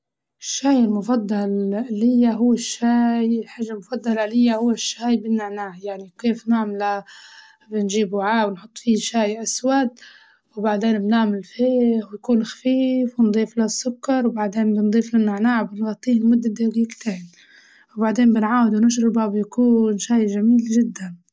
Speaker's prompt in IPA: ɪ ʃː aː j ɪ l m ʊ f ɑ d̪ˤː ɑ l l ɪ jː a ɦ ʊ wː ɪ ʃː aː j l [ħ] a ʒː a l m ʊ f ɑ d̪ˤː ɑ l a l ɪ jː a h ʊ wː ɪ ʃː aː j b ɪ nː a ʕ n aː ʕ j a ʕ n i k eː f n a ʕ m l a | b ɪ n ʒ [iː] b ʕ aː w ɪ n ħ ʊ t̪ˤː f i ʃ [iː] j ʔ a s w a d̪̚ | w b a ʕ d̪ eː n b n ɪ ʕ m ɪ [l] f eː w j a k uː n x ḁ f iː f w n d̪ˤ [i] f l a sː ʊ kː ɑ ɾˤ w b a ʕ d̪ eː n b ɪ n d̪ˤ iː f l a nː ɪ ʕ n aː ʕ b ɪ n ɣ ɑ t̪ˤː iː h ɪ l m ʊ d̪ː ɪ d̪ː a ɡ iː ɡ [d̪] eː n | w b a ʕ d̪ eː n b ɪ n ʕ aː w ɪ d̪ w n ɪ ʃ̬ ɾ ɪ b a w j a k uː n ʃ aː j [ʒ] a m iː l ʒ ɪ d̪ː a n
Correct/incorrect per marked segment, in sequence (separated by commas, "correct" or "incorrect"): correct, correct, incorrect, correct, incorrect, incorrect, correct